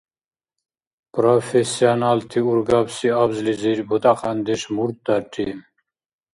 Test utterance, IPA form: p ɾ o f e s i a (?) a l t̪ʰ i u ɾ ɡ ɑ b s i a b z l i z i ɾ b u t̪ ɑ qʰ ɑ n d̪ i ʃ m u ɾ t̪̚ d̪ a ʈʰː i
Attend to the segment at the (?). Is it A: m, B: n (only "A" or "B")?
B